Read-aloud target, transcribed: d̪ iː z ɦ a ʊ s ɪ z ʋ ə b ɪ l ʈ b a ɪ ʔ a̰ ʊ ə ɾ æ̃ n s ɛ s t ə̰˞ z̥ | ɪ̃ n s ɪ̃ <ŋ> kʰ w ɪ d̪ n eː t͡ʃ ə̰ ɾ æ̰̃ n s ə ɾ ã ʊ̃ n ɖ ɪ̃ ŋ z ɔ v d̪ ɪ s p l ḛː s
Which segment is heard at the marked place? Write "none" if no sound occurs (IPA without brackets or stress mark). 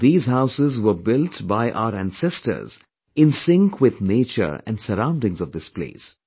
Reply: ŋ